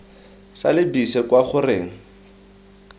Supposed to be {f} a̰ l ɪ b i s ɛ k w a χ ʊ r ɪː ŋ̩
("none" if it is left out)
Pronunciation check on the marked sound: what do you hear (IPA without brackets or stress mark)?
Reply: s